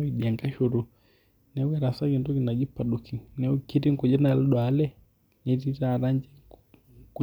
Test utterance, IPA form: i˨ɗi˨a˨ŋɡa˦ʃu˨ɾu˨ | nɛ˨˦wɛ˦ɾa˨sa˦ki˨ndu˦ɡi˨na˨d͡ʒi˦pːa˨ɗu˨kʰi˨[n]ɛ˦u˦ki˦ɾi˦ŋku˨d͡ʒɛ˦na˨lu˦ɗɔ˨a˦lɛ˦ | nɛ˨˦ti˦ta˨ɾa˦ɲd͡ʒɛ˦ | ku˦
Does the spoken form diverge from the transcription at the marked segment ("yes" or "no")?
no